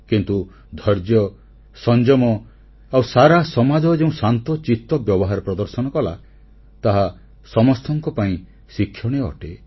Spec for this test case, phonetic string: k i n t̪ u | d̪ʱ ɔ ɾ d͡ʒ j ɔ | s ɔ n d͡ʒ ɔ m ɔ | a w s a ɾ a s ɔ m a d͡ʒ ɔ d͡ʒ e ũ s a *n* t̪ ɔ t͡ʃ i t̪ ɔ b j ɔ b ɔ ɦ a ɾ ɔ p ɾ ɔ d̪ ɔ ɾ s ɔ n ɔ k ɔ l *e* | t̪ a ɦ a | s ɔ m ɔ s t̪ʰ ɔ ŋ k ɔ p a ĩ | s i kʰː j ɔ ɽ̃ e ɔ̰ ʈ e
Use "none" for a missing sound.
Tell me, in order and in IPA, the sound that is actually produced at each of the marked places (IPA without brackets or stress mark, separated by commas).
n, a